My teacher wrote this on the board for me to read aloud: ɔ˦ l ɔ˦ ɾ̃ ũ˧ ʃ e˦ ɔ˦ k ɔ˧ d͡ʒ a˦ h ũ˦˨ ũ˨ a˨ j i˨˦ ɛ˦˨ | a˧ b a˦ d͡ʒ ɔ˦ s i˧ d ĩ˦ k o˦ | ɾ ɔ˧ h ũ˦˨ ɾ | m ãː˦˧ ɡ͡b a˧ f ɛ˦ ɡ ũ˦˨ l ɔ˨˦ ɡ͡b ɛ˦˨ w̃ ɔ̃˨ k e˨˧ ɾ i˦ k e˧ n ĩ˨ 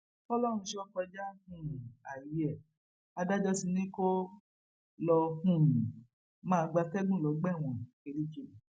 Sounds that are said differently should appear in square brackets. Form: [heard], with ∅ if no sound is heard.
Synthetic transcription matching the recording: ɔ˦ l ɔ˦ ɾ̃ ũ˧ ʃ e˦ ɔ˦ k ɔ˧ d͡ʒ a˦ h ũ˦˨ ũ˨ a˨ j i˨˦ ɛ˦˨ | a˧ [d] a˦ d͡ʒ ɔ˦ s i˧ [n] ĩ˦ k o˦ | [l] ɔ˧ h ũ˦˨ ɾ | m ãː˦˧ ɡ͡b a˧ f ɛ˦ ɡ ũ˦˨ l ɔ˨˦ ɡ͡b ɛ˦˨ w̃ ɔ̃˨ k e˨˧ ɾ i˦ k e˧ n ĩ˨